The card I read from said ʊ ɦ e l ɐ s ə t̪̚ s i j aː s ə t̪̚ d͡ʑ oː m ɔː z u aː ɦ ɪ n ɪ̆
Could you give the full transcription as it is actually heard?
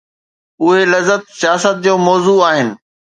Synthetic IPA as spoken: ʊ ɦ e l ɐ z ə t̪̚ s i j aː s ə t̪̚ d͡ʑ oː m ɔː z u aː ɦ ɪ n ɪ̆